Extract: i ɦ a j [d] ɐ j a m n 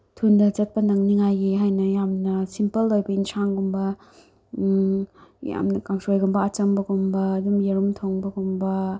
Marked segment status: incorrect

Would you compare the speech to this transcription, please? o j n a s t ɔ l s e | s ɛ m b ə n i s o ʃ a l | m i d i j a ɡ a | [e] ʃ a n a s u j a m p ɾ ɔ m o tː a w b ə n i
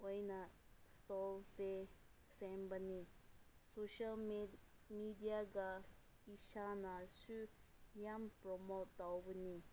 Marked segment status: incorrect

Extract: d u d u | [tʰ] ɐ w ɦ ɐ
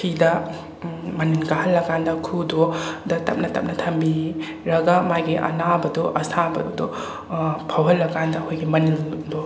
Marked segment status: incorrect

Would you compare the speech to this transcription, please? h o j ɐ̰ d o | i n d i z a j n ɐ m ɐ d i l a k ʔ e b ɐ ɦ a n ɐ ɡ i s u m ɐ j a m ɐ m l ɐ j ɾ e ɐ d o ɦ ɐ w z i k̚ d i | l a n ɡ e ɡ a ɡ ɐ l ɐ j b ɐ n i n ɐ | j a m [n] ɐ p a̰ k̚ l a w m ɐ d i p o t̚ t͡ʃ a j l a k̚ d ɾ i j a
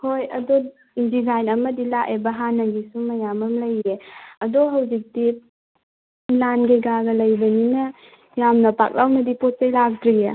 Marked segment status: correct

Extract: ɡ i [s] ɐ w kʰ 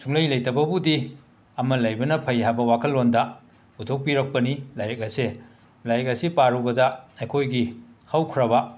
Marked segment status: incorrect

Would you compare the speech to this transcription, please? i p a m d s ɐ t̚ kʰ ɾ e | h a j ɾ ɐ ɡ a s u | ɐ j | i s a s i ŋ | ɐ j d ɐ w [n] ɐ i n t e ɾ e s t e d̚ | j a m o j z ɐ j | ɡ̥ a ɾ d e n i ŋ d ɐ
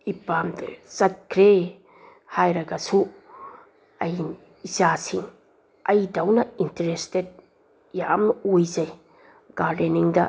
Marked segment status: correct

